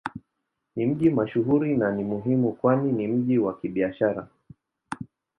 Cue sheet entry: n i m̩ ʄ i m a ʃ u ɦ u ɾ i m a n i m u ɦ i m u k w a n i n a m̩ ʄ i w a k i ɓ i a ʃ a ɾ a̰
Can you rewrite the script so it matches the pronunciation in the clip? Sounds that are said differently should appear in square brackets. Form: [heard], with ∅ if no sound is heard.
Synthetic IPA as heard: n i m̩ ʄ i m a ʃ u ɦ u ɾ i [n] a n i m u ɦ i m u k w a n i n [i] m̩ ʄ i w a k i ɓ i a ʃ a ɾ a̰